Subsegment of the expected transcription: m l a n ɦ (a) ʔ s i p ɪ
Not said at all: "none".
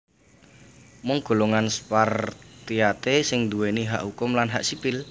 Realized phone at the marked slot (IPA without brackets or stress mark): a